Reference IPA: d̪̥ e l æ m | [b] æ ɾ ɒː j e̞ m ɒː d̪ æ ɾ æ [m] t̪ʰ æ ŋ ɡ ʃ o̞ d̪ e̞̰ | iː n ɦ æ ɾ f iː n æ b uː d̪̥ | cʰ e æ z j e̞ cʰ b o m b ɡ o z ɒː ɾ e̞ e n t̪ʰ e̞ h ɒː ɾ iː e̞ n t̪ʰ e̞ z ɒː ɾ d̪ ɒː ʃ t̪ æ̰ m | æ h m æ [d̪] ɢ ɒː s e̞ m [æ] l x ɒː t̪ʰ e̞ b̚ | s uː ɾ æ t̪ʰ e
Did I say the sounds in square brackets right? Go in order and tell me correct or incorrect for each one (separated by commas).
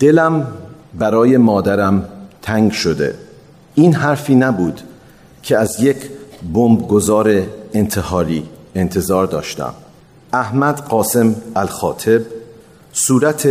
correct, correct, correct, correct